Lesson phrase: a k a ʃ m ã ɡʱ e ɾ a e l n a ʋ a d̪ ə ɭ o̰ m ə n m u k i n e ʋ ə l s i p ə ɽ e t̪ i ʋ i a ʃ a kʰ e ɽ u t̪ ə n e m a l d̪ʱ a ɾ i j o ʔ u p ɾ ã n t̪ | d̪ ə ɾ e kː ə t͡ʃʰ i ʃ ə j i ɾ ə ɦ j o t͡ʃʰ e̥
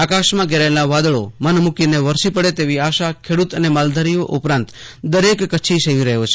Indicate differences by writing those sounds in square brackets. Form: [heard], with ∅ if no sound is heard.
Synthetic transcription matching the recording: a k a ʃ m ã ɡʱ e ɾ a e l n a ʋ a d̪ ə ɭ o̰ m ə n m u k i n e ʋ ə [ɾ] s i p ə ɽ e t̪ [e] ʋ i a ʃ a kʰ e ɽ u t̪ ə n e m a l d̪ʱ a ɾ i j o ʔ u p ɾ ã n t̪ | d̪ ə ɾ e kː ə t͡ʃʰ i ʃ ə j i ɾ ə ɦ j o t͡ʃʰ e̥